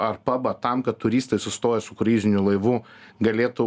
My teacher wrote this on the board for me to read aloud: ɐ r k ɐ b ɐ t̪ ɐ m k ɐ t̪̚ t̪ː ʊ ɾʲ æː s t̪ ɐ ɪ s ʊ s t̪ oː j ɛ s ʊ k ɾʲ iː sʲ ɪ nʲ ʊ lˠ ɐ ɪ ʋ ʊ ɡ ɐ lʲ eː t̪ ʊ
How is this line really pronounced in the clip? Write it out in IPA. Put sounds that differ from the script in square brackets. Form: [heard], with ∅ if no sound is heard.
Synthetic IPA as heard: ɐ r [p] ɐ b ɐ t̪ ɐ m k ɐ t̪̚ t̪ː ʊ ɾʲ [iː] s t̪ ɐ ɪ s ʊ s t̪ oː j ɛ s ʊ k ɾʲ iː [zʲ] ɪ nʲ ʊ lˠ ɐ ɪ ʋ ʊ ɡ ɐ lʲ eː t̪ ʊ